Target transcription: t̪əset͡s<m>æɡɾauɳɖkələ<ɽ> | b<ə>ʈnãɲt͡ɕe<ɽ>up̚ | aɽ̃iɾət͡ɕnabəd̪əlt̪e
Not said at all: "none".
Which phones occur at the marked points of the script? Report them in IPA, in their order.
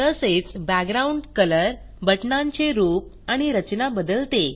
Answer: b, ɾ, ə, ɾ

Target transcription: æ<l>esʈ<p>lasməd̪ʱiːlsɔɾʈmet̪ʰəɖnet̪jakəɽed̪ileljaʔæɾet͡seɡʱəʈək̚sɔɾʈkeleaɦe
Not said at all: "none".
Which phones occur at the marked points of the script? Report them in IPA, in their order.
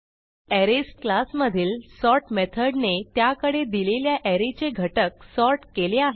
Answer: ɾ, k

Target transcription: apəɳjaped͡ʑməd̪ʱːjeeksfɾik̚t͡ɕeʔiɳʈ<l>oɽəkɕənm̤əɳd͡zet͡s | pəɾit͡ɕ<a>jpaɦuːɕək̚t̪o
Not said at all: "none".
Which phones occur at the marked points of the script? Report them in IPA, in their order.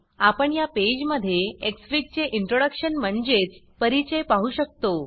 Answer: ɾ, ə

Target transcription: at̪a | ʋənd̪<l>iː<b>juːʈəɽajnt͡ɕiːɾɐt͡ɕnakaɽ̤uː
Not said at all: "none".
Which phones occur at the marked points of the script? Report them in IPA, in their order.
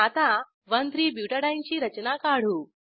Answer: ɾ, b

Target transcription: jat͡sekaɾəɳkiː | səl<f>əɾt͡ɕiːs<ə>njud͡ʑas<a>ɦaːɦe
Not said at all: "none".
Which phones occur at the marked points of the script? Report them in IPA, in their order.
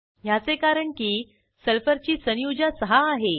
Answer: f, ə, ə

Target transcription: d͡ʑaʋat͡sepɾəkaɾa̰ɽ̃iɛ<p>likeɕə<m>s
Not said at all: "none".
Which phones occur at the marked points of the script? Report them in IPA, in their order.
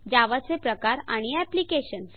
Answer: p, n

